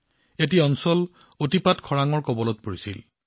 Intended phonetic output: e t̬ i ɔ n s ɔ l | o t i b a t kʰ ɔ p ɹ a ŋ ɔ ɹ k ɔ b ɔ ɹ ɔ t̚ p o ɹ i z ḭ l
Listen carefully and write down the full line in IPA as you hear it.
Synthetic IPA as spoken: e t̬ i ɔ n s ɔ l | o t i p a t kʰ ɔ ɹ a ŋ ɔ ɹ k ɔ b ɔ l ɔ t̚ p o ɹ i s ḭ l